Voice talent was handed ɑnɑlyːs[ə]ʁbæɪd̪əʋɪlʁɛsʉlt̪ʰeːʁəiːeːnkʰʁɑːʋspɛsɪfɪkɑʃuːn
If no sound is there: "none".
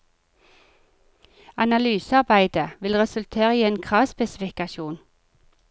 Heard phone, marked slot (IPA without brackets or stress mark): ɑ